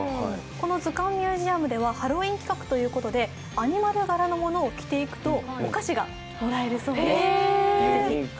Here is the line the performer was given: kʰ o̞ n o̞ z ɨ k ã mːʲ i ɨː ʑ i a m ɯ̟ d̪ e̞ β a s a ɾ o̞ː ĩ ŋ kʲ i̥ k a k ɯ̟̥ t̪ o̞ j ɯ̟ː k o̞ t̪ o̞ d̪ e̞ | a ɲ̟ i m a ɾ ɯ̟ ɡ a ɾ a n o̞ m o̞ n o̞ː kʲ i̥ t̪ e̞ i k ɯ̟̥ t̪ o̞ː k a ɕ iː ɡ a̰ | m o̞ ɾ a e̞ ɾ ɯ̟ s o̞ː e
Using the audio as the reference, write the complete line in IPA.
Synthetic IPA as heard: k o̞ n o̞ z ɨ k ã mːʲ j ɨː ʑ i a m ɯ̟ d̪ e̞ β a h a ɾ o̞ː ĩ ŋ kʲ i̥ k a k ɯ̟̥ t̪ o̞ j ɯ̟ː k o̞ t̪ o̞ d̪ e̞ | a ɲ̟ i m a ɾ ɯ̟ ɡ a ɾ a n o̞ m o̞ n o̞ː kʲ i̥ t̪ e̞ i k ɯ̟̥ t̪ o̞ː k a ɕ i ɡ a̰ | m o̞ ɾ a e̞ ɾ ɯ̟ s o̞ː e